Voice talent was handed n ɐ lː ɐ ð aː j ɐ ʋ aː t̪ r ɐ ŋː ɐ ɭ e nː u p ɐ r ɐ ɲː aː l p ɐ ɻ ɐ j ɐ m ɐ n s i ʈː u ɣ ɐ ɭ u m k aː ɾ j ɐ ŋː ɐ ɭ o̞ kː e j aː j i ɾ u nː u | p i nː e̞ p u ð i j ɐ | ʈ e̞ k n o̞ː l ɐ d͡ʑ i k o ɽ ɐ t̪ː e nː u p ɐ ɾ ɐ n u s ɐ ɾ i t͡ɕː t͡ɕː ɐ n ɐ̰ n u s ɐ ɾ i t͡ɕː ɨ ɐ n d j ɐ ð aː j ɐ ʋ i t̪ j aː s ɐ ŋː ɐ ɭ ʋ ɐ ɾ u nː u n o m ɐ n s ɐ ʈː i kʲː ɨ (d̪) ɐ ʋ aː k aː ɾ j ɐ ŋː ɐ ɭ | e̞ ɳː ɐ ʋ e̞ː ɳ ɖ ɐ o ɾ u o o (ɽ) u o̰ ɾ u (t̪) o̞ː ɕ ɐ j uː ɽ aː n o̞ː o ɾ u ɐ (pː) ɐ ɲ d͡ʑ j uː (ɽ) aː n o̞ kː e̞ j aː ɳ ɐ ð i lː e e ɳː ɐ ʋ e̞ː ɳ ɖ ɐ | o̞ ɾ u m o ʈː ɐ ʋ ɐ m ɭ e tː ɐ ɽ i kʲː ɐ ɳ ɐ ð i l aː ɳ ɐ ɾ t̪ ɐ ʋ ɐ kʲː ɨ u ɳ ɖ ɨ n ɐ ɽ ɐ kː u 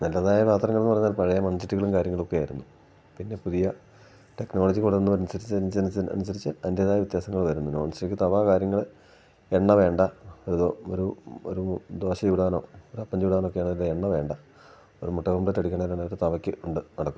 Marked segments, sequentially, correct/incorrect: incorrect: t̪, incorrect: ɾ, incorrect: d̪, correct, correct

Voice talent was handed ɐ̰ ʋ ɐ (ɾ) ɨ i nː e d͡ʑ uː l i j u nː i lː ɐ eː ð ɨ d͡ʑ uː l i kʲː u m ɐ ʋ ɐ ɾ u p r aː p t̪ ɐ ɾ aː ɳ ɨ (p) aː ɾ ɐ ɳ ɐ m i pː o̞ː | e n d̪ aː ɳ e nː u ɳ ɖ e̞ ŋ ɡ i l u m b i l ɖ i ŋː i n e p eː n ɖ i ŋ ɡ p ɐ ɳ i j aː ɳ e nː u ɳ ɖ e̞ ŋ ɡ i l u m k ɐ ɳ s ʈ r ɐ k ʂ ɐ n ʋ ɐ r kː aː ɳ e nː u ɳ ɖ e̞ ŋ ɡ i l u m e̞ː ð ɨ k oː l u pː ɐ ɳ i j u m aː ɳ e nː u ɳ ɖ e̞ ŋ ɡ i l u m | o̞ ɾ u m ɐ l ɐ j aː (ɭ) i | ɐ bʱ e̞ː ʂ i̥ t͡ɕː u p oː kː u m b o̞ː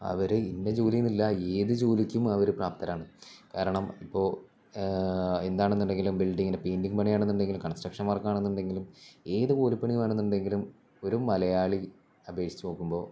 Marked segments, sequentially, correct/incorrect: correct, incorrect: k, correct

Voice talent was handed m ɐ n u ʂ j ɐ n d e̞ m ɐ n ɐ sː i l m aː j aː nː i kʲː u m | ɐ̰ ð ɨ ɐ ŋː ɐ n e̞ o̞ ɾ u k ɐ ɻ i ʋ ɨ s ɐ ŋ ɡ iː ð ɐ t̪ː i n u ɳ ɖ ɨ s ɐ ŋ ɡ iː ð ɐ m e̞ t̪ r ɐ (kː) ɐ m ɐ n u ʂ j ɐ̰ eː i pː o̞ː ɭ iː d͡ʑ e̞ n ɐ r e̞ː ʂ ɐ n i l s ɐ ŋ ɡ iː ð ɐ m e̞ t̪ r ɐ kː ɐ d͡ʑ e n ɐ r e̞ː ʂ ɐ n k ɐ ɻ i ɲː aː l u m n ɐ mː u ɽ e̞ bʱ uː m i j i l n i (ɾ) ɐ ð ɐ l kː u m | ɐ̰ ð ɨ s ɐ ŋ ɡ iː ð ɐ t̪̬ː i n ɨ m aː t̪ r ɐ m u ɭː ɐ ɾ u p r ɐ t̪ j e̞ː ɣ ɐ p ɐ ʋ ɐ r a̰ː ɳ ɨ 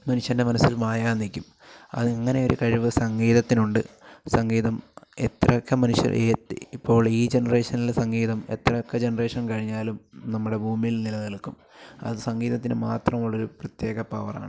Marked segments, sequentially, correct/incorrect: correct, incorrect: l

